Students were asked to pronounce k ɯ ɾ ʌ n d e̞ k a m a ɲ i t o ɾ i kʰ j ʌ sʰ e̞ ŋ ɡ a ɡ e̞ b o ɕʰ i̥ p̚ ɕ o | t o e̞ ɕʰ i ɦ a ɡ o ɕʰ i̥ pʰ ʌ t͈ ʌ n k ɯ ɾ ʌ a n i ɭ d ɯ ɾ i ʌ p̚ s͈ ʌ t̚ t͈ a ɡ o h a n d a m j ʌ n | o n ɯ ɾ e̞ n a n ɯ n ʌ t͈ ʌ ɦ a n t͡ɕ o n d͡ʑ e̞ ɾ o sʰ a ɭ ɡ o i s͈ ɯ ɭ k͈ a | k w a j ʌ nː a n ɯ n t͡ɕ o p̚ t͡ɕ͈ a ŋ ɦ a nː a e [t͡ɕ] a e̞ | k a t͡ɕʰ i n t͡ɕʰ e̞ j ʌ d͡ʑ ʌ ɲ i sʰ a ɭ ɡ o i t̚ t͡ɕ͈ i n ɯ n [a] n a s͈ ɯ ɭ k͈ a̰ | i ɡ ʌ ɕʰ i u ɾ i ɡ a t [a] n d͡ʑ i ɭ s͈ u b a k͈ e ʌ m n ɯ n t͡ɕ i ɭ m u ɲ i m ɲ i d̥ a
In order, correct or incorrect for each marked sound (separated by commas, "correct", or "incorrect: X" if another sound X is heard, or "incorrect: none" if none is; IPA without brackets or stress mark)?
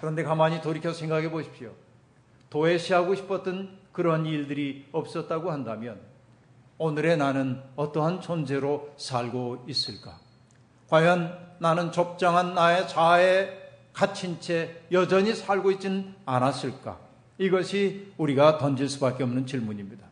correct, correct, incorrect: ʌ